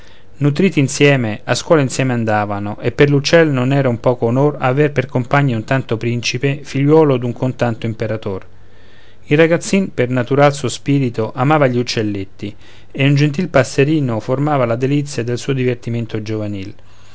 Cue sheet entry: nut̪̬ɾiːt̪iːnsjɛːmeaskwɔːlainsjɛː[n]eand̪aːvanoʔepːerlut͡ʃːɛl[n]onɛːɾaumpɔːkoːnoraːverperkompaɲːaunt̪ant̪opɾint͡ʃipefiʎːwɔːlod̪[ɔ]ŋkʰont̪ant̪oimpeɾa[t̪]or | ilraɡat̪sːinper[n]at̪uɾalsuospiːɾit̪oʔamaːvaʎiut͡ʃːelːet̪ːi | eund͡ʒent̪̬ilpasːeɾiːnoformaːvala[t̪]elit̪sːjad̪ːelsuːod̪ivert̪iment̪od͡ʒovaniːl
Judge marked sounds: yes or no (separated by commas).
no, yes, no, yes, yes, no